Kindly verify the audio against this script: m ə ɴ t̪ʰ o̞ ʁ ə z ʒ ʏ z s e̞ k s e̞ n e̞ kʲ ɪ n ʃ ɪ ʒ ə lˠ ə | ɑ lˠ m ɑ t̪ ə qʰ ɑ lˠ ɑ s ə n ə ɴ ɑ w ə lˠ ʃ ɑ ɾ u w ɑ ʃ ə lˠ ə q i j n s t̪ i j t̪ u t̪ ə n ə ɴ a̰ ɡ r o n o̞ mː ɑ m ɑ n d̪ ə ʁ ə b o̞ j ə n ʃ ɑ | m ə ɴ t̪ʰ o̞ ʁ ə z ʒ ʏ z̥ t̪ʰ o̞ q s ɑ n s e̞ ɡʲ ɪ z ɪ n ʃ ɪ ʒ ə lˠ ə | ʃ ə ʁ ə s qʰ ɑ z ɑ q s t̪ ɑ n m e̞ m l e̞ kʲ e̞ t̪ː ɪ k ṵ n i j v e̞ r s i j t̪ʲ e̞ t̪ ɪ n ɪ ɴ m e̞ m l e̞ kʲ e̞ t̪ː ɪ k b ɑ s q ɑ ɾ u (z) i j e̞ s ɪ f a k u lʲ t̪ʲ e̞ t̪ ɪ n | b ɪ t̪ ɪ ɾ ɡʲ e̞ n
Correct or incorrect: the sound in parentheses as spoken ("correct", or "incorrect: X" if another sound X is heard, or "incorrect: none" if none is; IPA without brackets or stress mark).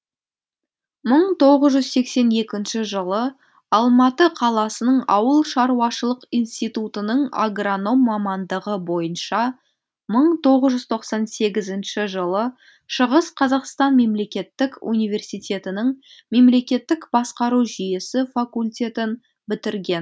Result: incorrect: ʒ